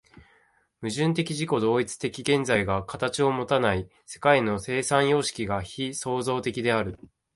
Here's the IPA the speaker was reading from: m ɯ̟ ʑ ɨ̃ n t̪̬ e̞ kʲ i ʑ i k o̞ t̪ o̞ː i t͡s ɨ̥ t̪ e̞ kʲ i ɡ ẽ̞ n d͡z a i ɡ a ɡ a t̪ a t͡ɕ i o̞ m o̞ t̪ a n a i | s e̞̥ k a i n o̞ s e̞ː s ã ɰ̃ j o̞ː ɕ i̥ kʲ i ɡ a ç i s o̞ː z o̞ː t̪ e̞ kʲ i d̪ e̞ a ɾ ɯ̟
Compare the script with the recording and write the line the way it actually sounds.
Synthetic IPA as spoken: m ɯ̟ ʑ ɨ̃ n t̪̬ e̞ kʲ i ʑ i k o̞ d̪ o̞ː i t͡s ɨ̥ t̪ e̞ kʲ i ɡ ẽ̞ n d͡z a i ɡ a k a t̪ a t͡ɕ i o̞ m o̞ t̪ a n a i | s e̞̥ k a i n o̞ s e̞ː s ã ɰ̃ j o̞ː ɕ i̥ kʲ i ɡ a ç i s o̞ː z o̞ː t̪ e̞ kʲ i d̪ e̞ a ɾ ɯ̟